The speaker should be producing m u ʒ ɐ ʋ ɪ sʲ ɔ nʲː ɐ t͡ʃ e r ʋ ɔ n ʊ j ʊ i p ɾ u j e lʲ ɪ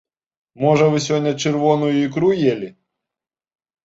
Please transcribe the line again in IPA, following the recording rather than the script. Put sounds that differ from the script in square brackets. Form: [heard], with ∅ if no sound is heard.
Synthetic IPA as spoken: m [ɔ] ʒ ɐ ʋ ɪ sʲ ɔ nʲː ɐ t͡ʃ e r ʋ ɔ n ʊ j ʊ i [k] ɾ u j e lʲ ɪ